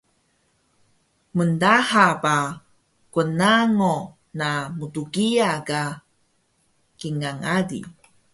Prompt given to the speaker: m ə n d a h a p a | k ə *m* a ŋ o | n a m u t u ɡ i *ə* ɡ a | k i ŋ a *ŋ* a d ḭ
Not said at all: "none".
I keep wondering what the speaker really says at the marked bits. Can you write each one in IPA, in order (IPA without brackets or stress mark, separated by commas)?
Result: n, a, ŋ